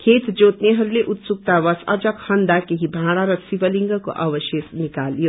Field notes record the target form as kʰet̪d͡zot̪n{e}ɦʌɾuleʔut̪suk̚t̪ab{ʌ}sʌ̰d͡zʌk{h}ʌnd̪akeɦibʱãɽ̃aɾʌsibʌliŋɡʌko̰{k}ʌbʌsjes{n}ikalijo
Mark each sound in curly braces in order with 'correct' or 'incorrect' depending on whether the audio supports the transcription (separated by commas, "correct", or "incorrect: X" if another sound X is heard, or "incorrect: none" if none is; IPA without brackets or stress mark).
correct, correct, correct, incorrect: ʔ, correct